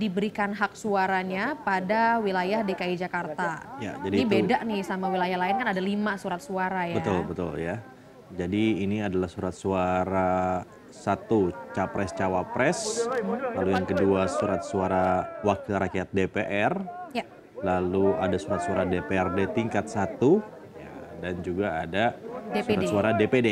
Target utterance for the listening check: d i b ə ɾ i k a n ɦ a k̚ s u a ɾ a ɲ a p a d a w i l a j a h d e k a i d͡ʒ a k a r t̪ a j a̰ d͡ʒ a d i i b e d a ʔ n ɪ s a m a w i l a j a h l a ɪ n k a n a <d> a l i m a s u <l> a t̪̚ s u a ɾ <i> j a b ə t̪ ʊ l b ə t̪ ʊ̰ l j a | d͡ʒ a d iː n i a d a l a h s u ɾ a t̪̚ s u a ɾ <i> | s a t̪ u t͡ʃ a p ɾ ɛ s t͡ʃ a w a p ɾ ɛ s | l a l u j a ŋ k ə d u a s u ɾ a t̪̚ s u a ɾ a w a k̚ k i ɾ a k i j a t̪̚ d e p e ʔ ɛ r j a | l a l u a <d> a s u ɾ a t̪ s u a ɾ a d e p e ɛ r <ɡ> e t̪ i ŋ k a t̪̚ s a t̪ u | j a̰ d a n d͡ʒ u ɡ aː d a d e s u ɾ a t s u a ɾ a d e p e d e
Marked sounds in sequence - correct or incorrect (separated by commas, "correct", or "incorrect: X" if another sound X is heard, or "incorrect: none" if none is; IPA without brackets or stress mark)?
correct, incorrect: ɾ, incorrect: a, incorrect: a, correct, incorrect: d